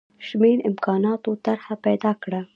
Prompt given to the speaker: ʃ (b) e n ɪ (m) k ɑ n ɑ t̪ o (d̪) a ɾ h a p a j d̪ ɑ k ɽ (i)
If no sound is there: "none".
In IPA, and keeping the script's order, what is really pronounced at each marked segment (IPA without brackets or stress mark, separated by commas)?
m, m, t̪, a